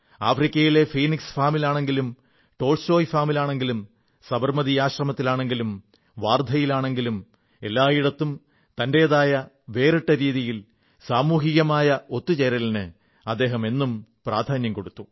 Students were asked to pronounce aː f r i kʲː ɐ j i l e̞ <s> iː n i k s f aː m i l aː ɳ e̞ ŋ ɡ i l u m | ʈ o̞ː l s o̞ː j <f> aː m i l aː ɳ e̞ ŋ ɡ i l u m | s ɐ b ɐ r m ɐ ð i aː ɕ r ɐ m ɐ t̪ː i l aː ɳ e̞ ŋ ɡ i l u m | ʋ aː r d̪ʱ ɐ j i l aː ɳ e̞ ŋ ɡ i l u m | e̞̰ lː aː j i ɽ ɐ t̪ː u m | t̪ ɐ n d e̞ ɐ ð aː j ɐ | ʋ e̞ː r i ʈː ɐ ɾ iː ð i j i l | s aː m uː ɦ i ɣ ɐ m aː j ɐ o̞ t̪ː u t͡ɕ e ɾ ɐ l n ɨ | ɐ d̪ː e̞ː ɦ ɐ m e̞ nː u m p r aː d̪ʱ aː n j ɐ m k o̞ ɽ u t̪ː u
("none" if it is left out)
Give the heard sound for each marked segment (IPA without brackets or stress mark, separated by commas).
f, f